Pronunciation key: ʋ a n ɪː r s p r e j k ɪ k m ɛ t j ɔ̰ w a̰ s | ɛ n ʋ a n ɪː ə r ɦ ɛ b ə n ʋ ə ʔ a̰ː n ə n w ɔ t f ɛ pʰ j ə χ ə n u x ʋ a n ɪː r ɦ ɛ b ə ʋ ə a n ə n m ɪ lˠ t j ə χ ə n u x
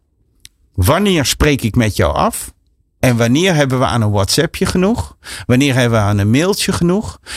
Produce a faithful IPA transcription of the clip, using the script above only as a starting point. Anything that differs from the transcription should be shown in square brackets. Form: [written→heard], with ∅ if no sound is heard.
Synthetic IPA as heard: ʋ a n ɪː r s p r e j k ɪ k m ɛ t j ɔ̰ w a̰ [s→f] | ɛ n ʋ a n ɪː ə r ɦ ɛ b ə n ʋ ə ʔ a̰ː n ə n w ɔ t [f→s] ɛ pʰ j ə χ ə n u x ʋ a n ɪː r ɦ ɛ b ə ʋ ə a n ə n m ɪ lˠ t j ə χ ə n u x